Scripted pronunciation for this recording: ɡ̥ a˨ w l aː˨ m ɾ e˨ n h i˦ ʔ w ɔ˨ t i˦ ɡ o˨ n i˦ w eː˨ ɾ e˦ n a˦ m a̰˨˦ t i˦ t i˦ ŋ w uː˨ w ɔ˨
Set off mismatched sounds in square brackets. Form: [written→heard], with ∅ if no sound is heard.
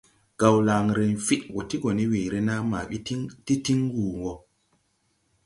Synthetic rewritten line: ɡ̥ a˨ w l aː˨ [m→ŋ] ɾ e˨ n [h→f] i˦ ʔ w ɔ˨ t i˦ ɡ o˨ n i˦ w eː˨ ɾ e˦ n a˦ m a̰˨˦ t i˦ t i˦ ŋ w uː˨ w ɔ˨